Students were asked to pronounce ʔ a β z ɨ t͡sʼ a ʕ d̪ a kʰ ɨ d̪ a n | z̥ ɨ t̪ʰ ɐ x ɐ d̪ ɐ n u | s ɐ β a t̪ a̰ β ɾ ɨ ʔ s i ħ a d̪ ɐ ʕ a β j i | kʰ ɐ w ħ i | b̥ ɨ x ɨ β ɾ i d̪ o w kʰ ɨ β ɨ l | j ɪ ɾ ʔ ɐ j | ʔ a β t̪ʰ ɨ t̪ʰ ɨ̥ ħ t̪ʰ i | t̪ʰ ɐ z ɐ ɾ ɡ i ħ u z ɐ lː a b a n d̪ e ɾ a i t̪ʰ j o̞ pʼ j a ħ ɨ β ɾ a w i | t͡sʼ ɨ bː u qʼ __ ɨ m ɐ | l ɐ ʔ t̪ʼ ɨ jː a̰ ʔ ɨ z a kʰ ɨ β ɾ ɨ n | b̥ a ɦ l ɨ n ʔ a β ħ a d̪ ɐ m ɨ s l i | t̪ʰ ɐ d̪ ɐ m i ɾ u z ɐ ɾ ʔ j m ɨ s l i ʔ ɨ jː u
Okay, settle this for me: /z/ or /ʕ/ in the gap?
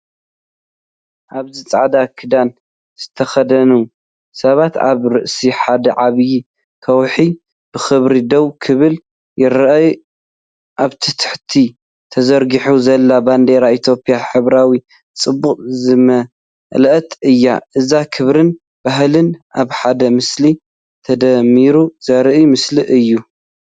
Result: z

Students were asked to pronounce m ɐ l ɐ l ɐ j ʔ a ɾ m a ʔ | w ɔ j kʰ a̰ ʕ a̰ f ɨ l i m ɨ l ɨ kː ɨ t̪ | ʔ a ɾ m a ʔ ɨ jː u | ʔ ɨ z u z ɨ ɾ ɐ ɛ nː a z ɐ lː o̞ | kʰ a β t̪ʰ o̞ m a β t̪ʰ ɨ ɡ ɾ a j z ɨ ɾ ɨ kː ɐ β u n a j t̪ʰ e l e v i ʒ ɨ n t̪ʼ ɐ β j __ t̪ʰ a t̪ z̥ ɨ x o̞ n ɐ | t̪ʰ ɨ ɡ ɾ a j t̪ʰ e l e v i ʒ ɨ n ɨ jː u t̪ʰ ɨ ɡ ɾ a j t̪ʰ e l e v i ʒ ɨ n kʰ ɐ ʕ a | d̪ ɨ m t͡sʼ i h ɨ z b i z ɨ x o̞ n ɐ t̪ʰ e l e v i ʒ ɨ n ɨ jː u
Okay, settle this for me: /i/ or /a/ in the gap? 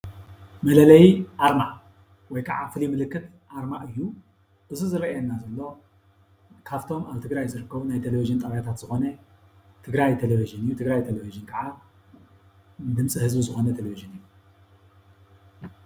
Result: a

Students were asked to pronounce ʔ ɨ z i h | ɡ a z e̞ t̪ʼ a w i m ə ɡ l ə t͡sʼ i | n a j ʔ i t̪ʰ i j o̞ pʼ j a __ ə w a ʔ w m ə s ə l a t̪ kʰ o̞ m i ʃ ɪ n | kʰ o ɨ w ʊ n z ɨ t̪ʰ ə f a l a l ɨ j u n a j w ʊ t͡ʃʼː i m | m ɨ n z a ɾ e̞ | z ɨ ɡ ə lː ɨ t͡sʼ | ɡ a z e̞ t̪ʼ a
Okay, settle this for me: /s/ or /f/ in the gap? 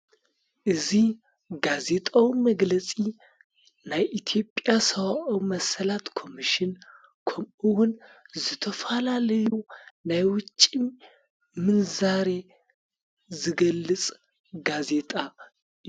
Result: s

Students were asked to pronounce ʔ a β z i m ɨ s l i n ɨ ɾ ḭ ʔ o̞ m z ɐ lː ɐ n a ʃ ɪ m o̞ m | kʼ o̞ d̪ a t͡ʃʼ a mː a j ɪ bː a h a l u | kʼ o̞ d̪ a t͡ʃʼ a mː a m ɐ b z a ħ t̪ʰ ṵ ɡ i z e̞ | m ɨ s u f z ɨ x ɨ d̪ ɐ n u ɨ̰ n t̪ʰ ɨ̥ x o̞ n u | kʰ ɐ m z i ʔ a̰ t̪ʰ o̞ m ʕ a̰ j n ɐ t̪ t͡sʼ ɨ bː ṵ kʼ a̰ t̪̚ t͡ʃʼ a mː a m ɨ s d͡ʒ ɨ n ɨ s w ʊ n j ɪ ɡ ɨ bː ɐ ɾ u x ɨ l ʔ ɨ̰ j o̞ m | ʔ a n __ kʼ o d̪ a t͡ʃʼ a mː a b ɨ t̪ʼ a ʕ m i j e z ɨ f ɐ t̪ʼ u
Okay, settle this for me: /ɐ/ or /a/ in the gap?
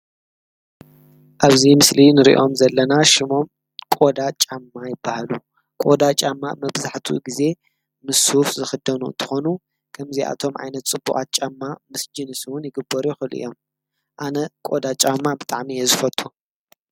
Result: ɐ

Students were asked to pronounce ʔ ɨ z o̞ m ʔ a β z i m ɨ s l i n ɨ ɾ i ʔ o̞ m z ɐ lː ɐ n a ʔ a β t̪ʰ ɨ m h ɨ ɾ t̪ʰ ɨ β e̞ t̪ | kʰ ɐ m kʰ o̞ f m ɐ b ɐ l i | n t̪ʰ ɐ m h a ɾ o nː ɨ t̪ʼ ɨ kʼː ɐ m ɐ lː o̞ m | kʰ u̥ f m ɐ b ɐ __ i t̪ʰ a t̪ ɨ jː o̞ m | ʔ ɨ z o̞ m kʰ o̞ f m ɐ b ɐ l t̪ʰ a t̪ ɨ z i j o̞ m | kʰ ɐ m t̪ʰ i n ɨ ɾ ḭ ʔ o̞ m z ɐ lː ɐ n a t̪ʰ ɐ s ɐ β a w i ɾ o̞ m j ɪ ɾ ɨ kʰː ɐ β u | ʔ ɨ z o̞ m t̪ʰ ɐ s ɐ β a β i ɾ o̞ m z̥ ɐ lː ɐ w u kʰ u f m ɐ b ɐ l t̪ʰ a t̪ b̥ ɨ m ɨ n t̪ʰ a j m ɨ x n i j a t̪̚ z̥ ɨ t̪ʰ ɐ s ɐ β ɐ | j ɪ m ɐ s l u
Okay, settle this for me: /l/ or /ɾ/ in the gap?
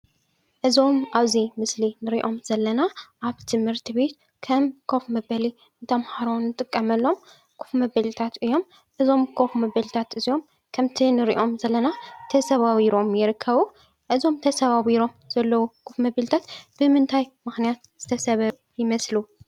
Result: l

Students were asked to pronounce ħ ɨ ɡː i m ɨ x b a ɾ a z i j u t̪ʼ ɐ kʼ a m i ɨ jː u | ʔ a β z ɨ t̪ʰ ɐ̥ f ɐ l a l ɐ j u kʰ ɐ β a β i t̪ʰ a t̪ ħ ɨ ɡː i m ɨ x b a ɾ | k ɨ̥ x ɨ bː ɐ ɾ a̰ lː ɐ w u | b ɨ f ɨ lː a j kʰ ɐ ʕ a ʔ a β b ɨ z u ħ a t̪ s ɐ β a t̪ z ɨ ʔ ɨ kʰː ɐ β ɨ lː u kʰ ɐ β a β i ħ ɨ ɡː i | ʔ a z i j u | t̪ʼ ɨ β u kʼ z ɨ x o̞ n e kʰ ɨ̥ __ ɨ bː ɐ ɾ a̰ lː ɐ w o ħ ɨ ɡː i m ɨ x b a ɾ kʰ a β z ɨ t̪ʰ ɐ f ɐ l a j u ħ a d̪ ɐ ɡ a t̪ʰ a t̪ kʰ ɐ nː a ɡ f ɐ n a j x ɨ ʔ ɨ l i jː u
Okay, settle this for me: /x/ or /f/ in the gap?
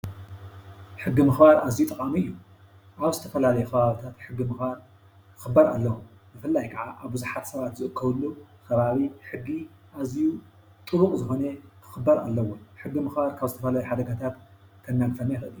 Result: x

